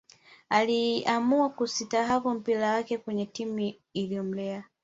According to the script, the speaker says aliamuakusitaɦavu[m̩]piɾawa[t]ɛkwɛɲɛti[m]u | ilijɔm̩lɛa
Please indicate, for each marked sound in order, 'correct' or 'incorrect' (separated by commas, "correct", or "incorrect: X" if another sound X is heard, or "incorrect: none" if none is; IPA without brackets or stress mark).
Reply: correct, incorrect: k, correct